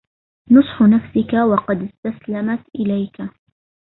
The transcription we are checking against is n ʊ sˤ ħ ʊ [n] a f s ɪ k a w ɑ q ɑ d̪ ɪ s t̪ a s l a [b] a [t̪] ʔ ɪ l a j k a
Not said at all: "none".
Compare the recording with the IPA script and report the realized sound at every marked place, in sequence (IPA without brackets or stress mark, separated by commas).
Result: n, m, t̪